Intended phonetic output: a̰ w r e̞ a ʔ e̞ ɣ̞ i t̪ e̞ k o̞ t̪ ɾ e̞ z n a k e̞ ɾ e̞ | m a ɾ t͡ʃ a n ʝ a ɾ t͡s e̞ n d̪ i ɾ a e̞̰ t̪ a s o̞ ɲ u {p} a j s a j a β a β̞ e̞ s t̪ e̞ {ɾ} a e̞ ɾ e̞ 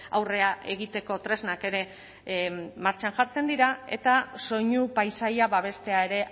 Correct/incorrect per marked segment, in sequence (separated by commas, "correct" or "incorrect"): correct, incorrect